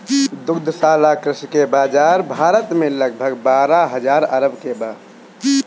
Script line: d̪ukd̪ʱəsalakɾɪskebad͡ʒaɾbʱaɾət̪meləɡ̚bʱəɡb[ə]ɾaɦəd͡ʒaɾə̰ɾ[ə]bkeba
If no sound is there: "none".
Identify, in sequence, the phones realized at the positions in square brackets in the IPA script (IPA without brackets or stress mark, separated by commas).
a, ə